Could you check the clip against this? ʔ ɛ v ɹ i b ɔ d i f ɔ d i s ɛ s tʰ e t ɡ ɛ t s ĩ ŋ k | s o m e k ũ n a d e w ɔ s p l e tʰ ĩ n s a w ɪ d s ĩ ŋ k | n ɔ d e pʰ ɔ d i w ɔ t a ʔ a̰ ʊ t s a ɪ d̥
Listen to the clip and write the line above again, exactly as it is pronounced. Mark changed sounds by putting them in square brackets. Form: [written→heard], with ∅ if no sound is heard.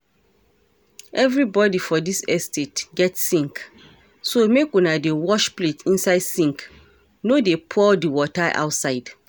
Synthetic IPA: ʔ ɛ v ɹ i b ɔ d i f ɔ d i s ɛ s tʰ e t ɡ ɛ t s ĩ ŋ k | s o m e k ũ n a d e w ɔ [s→ʃ] p l e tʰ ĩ n s a [w→∅] ɪ d s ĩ ŋ k | n [ɔ→o] d e pʰ ɔ d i w ɔ t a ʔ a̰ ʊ t s a ɪ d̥